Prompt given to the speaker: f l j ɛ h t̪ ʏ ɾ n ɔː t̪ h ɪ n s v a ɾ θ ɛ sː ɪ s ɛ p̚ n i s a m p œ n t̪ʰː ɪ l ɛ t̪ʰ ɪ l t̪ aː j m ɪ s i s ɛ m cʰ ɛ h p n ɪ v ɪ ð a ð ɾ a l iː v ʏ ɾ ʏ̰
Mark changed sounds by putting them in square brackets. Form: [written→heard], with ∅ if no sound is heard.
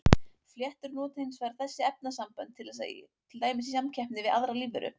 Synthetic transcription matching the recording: f l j ɛ h t̪ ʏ ɾ n ɔː t̪ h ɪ n s v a ɾ θ ɛ sː ɪ [s→∅] ɛ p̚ n [i→a] s a m p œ n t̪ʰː ɪ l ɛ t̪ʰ ɪ l t̪ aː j m ɪ s i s [ɛ→a] m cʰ ɛ h p n ɪ v ɪ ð a ð ɾ a l iː v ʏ ɾ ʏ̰